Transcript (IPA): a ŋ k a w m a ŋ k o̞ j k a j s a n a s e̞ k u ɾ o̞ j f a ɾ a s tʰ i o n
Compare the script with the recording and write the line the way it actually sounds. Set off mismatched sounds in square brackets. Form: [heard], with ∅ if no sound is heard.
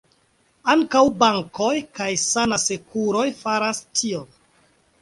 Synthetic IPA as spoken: a ŋ k a w [b] a ŋ k o̞ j k a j s a n a s e̞ k u ɾ o̞ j f a ɾ a s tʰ i o n

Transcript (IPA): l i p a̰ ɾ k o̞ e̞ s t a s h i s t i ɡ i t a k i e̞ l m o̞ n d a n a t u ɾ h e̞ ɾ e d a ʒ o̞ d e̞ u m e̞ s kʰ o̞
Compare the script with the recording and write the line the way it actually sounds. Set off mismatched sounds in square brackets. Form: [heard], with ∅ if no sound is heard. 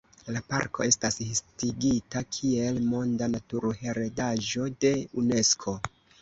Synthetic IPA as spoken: l [a] p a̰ ɾ k o̞ e̞ s t a s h i s t i ɡ i t a [kʰ] i e̞ l m o̞ n d a n a t u ɾ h e̞ ɾ e d a ʒ o̞ d e̞ u [n] e̞ s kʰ o̞

